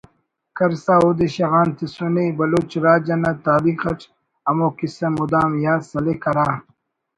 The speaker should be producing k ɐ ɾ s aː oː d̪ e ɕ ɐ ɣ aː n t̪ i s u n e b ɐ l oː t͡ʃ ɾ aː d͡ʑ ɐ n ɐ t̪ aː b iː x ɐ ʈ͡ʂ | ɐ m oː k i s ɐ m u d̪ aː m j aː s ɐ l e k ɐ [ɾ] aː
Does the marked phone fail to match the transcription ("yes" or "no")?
no